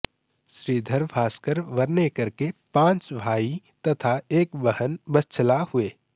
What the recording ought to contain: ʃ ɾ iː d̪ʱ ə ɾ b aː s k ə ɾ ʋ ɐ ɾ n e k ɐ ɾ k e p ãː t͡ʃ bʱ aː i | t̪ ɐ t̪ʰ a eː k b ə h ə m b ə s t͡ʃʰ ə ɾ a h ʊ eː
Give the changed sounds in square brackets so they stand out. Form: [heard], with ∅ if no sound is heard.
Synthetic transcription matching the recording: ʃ ɾ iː d̪ʱ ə ɾ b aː s k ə ɾ ʋ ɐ ɾ n e k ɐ ɾ k e p ãː t͡ʃ bʱ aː i | t̪ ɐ t̪ʰ a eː k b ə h ə [n] b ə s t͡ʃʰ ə [l] a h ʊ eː